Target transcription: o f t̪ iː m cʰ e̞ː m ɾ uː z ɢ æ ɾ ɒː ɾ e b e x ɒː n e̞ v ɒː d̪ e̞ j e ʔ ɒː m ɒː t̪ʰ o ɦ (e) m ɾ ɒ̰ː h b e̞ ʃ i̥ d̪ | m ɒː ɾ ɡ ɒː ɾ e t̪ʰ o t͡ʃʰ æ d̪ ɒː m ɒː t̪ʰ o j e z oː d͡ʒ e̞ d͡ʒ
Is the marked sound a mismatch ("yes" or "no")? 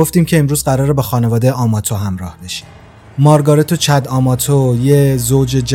yes